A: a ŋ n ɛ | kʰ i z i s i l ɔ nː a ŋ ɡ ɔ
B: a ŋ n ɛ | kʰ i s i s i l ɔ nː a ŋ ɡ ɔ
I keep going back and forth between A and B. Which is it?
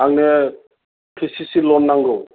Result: B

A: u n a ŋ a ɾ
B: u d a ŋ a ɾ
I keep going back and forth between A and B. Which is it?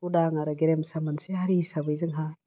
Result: B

